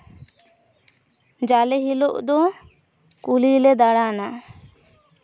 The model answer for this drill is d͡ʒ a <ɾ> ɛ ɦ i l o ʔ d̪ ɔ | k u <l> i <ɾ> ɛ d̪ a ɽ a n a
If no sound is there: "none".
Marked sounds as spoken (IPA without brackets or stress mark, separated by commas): l, l, l